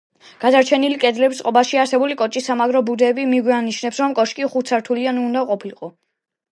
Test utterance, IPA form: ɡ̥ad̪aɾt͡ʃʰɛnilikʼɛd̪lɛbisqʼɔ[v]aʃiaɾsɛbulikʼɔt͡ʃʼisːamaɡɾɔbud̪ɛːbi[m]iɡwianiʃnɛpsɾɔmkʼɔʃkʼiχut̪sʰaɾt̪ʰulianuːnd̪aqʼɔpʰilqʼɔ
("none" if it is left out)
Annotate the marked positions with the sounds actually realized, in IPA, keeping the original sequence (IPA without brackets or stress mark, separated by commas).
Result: b, m